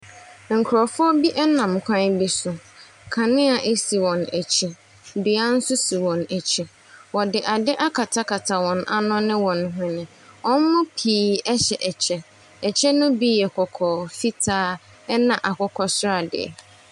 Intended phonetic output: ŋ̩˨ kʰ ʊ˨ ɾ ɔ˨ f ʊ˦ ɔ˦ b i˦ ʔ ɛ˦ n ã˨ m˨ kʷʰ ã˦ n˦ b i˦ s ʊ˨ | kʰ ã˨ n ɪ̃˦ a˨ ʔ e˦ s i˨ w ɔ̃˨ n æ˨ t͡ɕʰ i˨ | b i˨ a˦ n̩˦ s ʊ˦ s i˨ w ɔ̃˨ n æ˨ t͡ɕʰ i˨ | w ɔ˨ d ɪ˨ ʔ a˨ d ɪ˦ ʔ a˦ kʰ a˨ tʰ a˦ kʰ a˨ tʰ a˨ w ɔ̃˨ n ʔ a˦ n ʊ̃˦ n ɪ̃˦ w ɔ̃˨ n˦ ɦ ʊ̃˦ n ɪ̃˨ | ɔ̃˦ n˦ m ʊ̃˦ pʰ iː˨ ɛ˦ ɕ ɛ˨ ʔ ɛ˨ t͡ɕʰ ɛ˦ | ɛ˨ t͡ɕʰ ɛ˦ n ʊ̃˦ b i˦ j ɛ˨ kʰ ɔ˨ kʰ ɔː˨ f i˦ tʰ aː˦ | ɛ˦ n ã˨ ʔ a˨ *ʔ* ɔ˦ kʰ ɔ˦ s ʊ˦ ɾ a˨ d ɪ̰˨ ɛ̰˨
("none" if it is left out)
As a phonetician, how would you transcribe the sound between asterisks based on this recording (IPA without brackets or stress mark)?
k